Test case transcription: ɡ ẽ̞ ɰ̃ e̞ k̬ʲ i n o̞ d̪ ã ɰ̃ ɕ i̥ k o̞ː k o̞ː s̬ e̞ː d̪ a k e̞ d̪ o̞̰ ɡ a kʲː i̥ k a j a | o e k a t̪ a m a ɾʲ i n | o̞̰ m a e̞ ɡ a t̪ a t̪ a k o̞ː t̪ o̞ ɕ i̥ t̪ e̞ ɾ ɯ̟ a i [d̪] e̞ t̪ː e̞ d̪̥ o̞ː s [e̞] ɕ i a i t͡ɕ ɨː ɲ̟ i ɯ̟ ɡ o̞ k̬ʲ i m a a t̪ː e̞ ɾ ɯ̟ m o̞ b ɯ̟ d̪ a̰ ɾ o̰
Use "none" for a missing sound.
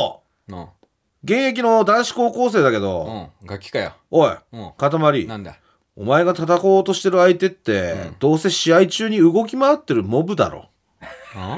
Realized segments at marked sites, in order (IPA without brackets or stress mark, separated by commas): t̪, e̞